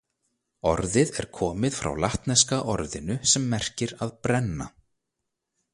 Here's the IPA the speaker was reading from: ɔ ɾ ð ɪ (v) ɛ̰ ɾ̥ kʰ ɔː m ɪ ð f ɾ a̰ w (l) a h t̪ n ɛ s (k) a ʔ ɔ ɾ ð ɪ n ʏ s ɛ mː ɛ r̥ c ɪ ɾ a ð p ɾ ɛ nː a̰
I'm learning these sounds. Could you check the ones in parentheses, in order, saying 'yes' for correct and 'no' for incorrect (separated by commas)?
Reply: no, yes, yes